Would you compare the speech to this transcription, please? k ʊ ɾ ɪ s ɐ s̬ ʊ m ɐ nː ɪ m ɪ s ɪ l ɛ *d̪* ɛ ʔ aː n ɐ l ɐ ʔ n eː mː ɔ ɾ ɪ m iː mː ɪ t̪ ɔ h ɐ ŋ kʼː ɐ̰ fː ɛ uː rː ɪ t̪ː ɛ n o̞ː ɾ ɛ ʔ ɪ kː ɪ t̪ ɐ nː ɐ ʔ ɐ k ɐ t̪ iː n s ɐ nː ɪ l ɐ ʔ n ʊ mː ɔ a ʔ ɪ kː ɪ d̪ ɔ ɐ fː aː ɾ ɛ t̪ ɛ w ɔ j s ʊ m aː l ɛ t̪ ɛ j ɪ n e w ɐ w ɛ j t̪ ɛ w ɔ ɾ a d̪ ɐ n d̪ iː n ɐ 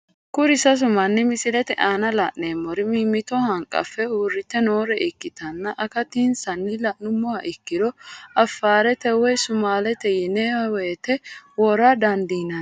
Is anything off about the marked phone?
yes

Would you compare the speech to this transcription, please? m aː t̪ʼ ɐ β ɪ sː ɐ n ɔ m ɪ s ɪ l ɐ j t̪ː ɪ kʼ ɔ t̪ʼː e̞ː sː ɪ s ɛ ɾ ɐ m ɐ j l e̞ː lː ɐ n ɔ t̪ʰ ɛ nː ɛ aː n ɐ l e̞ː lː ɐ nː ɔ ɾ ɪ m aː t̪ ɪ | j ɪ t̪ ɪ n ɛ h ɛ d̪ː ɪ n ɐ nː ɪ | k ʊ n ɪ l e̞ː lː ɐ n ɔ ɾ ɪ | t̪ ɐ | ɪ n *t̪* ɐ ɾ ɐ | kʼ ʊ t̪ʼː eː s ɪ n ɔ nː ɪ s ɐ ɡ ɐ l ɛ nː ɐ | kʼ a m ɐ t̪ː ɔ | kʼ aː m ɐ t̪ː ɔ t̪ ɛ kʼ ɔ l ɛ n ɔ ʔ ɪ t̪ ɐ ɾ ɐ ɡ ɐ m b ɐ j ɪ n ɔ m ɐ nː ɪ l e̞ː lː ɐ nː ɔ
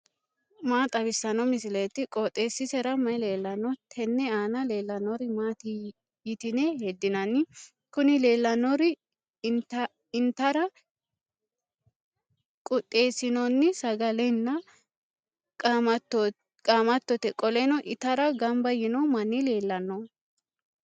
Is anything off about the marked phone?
no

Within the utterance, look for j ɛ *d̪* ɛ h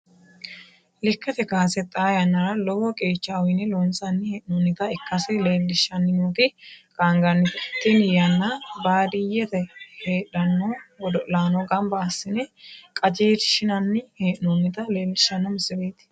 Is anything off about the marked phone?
yes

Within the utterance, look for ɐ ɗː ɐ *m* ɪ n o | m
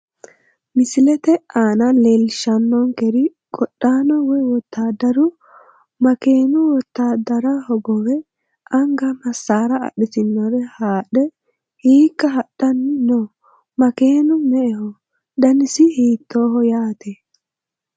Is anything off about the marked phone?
yes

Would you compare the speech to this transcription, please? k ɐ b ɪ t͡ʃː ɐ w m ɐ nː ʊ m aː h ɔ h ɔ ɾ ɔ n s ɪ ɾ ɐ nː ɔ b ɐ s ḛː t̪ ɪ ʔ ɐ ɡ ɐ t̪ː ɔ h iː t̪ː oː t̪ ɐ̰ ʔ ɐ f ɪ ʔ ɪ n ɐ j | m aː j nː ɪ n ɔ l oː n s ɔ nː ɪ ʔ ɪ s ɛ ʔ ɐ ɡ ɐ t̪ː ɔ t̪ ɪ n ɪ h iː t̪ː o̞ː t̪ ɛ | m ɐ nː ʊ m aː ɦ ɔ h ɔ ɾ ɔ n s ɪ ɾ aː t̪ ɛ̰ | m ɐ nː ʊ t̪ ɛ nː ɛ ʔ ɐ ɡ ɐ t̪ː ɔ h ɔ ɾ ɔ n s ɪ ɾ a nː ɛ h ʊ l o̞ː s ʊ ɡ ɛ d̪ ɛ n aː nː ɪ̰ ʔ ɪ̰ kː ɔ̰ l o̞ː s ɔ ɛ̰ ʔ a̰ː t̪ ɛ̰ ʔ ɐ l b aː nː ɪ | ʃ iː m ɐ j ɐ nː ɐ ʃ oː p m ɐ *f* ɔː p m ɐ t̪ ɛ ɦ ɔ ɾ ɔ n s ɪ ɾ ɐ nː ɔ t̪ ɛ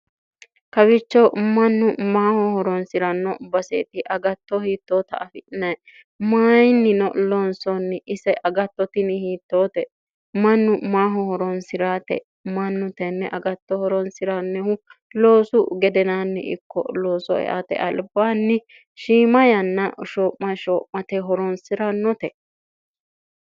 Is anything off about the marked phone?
yes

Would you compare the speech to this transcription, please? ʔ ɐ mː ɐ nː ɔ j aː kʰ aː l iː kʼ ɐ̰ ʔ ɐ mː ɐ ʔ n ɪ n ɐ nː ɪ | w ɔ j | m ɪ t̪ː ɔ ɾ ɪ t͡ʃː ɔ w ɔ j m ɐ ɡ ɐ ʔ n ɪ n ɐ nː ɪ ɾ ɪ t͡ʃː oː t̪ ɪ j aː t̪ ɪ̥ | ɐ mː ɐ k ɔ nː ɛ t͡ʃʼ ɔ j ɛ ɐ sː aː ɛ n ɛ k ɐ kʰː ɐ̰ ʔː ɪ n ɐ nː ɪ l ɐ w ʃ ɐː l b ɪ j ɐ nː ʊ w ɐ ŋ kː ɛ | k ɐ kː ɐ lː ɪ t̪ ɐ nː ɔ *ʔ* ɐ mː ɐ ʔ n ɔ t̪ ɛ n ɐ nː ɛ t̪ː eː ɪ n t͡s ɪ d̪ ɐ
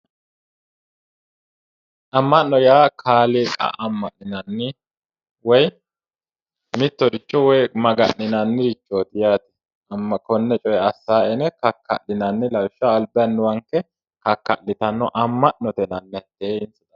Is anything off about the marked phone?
no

